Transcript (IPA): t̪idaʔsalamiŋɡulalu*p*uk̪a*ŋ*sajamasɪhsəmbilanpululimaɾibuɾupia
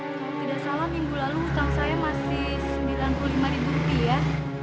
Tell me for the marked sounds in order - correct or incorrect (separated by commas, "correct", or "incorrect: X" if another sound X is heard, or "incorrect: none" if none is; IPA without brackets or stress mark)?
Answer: incorrect: none, correct